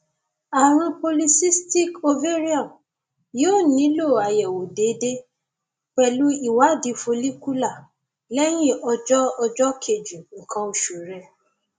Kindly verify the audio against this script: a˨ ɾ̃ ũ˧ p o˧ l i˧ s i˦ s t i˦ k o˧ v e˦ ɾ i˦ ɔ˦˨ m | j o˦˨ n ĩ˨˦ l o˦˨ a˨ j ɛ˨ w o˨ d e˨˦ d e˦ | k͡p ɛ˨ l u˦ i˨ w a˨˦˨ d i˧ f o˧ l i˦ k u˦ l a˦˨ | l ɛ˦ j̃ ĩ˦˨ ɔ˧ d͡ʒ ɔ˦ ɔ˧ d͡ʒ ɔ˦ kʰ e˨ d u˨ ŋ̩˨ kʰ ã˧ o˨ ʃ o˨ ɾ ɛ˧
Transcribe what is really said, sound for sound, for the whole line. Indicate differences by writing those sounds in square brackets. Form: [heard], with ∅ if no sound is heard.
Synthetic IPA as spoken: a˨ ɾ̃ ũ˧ p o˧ l i˧ s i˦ s t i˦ k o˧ v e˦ ɾ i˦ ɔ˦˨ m | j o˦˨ n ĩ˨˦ l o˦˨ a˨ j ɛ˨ w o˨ d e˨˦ d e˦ | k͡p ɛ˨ l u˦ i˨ w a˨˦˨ d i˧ f o˧ l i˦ k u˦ l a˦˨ | l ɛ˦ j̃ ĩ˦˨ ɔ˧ d͡ʒ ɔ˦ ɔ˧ d͡ʒ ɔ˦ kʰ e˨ [d͡ʒ] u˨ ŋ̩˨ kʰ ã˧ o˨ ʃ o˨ ɾ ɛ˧

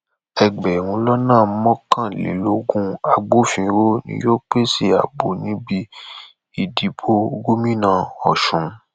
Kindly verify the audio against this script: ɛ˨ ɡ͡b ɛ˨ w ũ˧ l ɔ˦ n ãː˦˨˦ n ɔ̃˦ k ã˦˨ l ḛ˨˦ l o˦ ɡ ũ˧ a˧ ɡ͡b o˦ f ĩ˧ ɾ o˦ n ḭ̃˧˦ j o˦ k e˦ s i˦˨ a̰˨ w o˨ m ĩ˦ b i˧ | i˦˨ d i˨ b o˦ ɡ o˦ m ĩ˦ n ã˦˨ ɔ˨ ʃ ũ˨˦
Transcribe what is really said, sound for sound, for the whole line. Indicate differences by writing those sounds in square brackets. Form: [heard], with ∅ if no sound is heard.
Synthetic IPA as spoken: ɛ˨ ɡ͡b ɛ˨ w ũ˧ l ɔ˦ n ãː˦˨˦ [m] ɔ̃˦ k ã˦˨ l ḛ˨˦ l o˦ ɡ ũ˧ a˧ ɡ͡b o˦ f ĩ˧ ɾ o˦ n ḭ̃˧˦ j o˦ [k͡p] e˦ s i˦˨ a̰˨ [b] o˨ [n] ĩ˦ b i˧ | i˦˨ d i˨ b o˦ ɡ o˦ m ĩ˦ n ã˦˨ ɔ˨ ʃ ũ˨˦

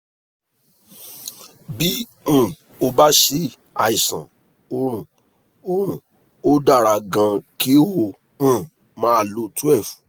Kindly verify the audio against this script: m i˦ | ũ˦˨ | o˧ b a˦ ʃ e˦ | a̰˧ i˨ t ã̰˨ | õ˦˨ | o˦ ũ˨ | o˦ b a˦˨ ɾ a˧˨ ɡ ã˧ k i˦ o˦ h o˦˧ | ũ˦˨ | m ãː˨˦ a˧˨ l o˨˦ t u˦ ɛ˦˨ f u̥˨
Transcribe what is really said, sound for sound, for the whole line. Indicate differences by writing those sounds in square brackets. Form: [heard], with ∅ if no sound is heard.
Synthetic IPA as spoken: [b] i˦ | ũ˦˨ | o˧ b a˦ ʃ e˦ | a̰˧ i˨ [s] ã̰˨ | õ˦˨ | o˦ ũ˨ | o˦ [d] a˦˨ ɾ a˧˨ ɡ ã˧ k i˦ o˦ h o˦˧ | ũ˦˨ | m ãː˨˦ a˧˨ l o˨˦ t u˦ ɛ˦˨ f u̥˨

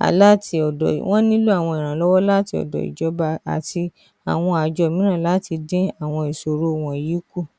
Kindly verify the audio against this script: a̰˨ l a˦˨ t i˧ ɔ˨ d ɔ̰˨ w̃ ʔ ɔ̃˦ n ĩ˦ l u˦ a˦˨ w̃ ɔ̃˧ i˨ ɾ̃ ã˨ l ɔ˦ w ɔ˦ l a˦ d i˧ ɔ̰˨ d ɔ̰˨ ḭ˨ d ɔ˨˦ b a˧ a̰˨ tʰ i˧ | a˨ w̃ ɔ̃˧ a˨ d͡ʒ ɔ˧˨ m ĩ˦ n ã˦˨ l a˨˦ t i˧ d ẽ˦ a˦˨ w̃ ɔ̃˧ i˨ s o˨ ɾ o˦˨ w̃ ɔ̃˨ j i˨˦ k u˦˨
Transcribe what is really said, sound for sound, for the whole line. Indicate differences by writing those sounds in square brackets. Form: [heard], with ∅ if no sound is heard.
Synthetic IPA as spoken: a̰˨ l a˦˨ t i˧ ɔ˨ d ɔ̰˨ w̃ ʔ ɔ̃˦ n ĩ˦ l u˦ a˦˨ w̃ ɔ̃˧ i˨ ɾ̃ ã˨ l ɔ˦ w ɔ˦ l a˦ [t] i˧ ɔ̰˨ d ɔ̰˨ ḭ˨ [d͡ʒ] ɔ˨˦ b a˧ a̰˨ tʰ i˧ | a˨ w̃ ɔ̃˧ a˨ d͡ʒ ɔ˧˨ m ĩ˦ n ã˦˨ l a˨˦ t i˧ d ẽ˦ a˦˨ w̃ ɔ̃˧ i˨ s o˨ ɾ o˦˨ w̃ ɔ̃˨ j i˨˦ k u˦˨

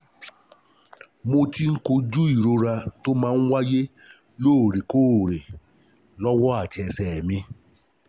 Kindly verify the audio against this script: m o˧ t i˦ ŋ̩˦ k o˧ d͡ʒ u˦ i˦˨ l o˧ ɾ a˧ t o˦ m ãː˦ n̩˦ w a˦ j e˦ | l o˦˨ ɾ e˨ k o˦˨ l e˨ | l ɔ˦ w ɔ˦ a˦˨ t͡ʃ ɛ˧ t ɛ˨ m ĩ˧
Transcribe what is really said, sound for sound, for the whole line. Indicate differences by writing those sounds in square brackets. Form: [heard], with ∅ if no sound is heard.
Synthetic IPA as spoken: m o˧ t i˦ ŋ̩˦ k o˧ d͡ʒ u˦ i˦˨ [ɾ] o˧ ɾ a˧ t o˦ m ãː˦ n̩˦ w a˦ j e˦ | l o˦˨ ɾ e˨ k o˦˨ [ɾ] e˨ | l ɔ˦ w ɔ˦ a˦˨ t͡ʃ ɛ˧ [s] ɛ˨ m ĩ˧

